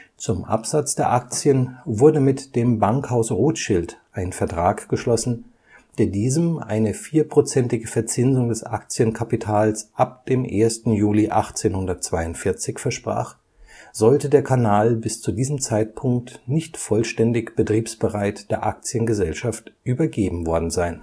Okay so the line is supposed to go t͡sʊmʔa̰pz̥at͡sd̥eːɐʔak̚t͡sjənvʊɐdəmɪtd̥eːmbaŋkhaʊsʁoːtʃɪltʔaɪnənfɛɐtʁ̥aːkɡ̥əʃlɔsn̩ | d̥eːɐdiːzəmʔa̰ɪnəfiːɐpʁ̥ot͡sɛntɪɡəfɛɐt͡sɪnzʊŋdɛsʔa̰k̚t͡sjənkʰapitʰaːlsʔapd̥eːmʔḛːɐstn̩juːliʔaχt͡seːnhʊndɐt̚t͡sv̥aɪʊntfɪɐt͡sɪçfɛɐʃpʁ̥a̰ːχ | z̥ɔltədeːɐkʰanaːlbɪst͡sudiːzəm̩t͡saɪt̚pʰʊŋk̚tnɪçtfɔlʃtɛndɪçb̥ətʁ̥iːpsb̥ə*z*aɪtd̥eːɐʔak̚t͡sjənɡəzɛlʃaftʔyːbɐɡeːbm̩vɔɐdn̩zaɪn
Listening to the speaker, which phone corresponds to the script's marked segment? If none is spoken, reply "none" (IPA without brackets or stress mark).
ʁ